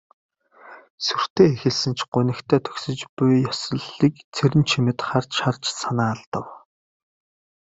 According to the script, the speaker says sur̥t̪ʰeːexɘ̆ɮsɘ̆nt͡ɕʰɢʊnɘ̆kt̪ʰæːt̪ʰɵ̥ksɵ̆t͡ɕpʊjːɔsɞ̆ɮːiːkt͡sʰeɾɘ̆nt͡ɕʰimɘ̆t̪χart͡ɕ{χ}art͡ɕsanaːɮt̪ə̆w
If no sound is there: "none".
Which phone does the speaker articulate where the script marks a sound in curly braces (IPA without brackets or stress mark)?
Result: ʃ